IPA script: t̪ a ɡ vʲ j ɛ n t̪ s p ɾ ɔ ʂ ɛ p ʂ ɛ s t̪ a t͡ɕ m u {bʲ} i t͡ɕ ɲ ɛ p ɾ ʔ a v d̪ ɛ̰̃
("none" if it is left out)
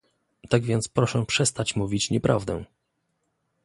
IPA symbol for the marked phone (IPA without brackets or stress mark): vʲ